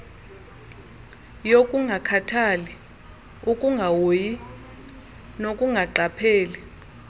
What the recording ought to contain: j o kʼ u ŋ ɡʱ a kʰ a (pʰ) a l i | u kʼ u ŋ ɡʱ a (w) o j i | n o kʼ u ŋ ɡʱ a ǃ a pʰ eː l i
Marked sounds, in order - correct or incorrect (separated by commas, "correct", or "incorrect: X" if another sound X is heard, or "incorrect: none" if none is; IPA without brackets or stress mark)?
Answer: incorrect: tʰ, correct